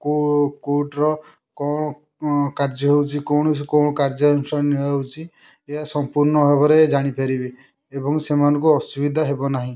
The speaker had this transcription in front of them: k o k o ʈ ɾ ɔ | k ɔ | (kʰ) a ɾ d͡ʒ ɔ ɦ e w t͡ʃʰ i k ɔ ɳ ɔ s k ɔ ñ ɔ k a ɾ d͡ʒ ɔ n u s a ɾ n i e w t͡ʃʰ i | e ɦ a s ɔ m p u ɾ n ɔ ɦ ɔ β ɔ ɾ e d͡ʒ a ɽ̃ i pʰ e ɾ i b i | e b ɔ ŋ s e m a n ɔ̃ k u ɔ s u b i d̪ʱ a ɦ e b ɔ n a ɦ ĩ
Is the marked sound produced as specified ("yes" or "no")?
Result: no